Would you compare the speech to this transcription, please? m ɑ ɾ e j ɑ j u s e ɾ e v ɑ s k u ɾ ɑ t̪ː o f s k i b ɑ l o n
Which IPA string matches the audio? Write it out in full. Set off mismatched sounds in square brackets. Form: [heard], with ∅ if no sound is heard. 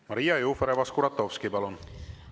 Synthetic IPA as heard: m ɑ ɾ [i] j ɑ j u [f] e ɾ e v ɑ s k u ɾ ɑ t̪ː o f s k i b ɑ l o n